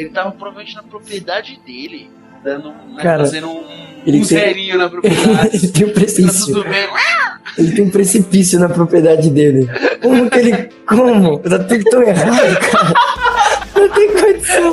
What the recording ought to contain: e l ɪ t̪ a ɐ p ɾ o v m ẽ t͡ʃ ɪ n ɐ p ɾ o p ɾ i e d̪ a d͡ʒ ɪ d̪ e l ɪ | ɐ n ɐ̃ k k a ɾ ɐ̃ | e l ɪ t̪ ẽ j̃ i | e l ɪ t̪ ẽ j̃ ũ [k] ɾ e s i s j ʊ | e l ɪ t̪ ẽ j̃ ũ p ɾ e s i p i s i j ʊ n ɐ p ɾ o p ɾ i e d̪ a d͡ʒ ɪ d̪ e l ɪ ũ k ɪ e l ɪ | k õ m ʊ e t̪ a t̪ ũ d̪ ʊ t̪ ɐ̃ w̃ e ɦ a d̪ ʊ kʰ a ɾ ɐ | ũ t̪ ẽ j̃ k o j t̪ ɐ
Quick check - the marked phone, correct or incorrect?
incorrect